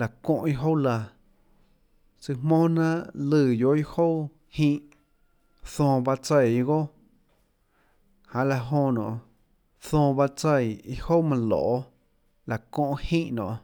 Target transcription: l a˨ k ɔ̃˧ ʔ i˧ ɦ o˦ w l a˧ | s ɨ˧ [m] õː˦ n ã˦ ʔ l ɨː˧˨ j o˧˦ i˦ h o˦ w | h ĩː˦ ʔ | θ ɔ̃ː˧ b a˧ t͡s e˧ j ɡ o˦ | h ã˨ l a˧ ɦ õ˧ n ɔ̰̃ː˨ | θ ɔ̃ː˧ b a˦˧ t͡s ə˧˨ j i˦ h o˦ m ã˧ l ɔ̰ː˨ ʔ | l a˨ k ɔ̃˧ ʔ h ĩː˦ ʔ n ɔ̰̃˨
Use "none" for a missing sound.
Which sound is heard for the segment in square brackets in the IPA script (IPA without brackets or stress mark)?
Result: m